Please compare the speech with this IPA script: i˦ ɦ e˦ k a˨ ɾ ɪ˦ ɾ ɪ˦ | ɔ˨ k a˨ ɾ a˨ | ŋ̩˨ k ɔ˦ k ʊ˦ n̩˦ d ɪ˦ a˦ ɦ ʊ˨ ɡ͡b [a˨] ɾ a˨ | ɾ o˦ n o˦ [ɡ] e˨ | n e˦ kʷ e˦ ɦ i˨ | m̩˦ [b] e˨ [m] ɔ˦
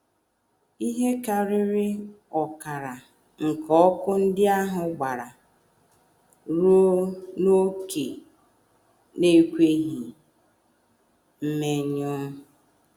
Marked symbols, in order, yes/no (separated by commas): yes, no, no, no